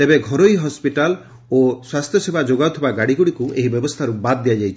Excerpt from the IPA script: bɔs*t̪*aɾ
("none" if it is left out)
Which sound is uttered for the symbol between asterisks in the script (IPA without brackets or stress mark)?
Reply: t̪ʰ